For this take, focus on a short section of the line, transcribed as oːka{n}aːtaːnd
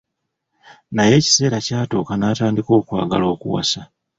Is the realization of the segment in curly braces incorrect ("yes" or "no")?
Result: no